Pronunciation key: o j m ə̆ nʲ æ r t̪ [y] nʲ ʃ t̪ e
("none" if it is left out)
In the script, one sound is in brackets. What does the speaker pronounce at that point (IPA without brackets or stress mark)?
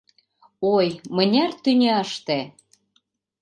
y